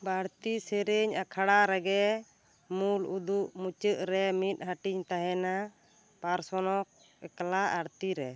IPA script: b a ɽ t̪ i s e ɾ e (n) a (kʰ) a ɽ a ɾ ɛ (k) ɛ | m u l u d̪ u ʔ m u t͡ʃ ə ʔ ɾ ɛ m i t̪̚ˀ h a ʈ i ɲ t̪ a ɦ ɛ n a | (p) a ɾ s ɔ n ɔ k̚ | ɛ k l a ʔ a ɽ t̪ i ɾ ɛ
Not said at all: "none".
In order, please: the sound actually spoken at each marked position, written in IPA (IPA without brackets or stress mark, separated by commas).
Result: ɲ, kʰ, ɡ, p